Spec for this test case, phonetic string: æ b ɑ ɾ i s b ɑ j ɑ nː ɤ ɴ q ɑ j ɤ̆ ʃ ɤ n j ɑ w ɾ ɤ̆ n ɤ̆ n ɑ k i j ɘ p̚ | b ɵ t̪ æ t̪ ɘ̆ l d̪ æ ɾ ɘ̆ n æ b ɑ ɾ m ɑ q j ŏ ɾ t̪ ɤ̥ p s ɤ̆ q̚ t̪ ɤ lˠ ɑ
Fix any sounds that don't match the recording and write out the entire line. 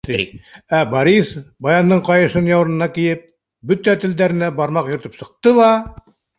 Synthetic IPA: æ b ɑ ɾ i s b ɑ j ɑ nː ɤ ɴ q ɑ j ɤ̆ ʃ ɤ n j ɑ w ɾ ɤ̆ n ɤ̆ n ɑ k i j ɘ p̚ | b ɵ t̪ æ t̪ ɘ̆ l d̪ æ ɾ ɘ̆ n æ b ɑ ɾ m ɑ q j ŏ ɾ t̪ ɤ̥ p s ɤ̆ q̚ t̪ ɤ lˠ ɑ